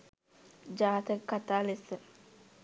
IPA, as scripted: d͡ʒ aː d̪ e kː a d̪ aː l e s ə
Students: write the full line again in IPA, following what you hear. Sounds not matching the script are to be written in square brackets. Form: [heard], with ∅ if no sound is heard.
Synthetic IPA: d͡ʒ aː [t̪] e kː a [t̪] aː l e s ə